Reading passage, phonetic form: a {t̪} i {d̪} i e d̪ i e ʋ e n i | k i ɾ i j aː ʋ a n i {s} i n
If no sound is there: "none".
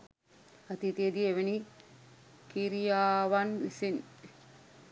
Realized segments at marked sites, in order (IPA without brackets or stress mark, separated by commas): t̪, t̪, s